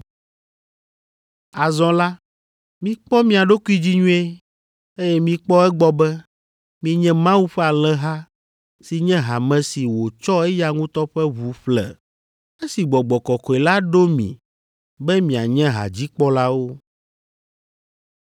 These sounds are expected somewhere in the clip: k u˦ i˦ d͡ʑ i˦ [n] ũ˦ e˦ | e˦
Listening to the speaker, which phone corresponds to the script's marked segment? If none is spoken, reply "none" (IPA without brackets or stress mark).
ɲ